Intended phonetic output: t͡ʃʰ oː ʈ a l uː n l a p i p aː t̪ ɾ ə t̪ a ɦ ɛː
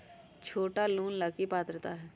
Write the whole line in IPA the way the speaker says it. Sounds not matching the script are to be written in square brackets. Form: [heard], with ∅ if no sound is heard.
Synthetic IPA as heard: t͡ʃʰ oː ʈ a l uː n l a [k] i p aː t̪ ɾ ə t̪ a ɦ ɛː